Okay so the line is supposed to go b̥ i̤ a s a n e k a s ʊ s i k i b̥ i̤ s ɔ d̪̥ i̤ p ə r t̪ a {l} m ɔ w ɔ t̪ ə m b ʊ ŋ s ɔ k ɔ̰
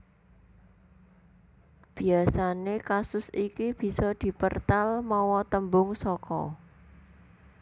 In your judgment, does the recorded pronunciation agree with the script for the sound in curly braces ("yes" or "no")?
yes